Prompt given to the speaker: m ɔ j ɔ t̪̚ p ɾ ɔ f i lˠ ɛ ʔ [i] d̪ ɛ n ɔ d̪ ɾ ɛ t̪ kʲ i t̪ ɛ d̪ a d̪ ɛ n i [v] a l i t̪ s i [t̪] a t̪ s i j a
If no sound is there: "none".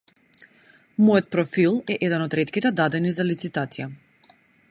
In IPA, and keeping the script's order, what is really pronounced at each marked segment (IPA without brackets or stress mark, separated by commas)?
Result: ɛ, z, t̪